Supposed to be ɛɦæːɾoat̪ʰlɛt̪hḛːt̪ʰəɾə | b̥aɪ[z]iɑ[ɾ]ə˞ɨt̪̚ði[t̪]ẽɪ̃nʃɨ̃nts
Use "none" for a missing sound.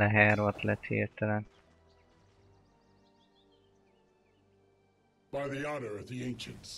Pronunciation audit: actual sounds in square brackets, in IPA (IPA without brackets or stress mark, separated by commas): ð, ɾ, none